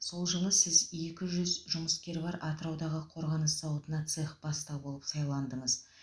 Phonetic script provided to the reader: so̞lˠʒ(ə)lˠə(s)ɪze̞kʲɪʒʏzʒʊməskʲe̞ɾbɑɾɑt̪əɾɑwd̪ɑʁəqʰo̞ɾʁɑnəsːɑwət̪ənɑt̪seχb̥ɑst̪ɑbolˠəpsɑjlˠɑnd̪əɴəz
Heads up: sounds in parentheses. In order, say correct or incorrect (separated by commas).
correct, correct